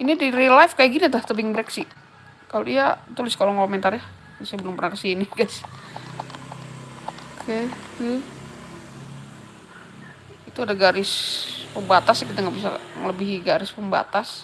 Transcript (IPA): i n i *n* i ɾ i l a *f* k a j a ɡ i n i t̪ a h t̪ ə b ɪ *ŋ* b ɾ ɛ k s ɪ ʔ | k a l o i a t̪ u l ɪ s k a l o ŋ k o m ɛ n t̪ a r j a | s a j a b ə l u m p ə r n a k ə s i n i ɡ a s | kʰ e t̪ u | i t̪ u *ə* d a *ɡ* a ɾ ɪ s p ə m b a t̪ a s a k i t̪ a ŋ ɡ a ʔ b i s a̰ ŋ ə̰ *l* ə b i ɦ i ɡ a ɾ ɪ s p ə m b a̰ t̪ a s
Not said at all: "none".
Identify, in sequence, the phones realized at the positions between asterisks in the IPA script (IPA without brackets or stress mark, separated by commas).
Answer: d, f, ŋ, a, ɡ, l